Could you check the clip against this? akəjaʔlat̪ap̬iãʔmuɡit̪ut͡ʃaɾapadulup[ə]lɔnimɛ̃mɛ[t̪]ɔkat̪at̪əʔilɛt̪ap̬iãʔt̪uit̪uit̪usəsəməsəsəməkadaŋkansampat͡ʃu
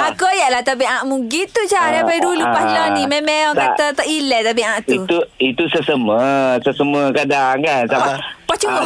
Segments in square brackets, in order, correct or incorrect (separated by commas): incorrect, incorrect